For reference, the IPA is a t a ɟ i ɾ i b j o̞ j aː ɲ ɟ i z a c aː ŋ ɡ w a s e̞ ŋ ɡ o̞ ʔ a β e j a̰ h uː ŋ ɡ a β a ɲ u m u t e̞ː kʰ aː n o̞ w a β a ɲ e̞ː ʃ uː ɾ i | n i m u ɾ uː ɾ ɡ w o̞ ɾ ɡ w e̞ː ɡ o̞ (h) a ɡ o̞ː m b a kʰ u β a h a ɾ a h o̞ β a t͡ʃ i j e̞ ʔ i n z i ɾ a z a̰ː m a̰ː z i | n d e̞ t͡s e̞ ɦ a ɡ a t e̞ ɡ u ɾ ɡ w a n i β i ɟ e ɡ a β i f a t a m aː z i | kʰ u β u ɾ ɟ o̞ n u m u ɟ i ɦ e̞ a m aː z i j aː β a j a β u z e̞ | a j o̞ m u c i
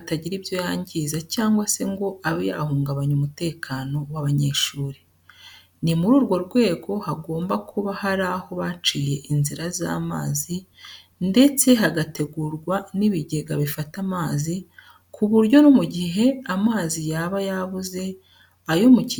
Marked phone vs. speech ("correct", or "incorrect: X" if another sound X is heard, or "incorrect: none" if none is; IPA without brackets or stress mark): correct